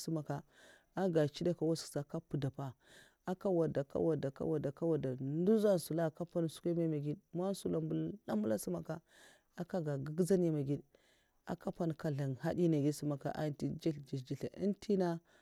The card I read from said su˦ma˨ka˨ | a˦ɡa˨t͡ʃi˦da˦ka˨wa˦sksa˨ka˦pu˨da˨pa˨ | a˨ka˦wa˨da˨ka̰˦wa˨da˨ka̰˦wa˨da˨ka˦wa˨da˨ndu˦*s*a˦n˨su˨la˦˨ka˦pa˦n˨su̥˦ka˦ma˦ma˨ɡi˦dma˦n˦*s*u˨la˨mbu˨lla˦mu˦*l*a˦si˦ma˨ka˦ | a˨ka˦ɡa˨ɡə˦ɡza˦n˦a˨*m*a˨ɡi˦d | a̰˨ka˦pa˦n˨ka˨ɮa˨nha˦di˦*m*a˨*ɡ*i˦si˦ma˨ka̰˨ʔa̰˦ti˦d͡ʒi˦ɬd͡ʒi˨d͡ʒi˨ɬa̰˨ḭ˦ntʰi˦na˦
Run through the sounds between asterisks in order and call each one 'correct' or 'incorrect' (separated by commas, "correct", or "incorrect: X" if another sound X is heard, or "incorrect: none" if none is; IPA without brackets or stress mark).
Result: incorrect: z, correct, correct, correct, incorrect: n, correct